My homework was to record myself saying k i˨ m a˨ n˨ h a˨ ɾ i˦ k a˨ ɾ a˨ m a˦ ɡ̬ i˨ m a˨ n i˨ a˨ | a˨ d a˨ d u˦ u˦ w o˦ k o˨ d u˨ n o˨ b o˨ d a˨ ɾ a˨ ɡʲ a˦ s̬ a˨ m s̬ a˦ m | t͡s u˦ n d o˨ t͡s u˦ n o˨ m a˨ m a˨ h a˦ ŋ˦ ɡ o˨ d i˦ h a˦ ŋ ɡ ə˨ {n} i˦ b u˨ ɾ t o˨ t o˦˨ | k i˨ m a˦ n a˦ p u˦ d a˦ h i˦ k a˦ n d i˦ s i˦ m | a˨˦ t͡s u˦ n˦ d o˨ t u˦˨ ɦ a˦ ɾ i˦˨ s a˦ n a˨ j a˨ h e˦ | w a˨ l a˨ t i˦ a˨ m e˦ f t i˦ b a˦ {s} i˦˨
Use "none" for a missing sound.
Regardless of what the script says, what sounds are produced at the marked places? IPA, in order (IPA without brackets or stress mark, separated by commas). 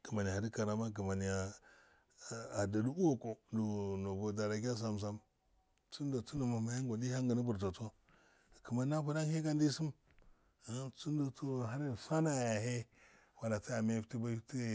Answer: n, t